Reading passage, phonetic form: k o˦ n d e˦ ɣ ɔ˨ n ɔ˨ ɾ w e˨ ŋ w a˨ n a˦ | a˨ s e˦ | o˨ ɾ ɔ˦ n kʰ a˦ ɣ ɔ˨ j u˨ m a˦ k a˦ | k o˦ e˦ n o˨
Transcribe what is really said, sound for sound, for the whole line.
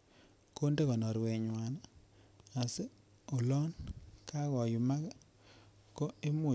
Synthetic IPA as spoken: k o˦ n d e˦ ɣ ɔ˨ n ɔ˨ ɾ w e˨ ɲ w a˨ n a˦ | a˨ s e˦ | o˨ l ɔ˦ n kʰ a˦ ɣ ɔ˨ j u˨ m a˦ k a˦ | k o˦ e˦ m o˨